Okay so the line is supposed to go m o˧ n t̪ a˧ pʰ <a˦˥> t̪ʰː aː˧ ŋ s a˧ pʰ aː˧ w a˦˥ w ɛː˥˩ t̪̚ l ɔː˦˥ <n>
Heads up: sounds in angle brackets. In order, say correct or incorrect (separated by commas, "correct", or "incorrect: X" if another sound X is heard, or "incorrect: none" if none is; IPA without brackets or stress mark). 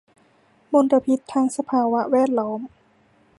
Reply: incorrect: i˦˥, incorrect: m